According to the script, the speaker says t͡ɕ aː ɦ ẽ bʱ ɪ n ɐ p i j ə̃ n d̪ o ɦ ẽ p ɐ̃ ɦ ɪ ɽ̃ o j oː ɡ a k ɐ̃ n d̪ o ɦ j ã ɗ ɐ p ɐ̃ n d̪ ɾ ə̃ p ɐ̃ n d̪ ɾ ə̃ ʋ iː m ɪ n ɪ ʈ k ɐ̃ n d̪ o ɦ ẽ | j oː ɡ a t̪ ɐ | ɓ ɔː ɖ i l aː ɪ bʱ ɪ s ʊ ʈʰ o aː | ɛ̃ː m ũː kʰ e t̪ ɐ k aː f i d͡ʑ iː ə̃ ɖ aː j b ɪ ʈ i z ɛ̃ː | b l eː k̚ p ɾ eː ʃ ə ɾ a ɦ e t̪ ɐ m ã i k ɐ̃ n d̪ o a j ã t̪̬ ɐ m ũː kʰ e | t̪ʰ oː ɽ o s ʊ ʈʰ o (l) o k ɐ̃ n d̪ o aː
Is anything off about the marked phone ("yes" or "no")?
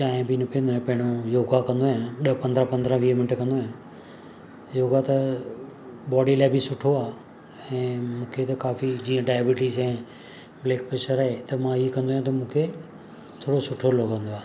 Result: no